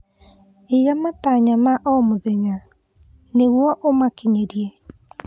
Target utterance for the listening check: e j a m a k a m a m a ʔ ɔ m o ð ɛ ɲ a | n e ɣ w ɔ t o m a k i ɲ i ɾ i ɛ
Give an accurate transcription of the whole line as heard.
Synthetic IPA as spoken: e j a m a t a ɲ a m a ʔ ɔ m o ð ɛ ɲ a | n e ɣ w ɔ ʔ o m a k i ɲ e ɾ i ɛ